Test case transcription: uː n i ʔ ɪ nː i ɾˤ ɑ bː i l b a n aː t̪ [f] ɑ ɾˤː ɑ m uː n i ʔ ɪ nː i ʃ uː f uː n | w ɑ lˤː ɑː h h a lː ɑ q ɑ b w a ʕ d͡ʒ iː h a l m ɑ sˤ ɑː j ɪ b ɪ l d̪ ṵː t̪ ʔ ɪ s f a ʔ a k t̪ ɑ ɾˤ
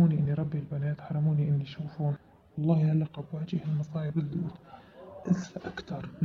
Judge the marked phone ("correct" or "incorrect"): incorrect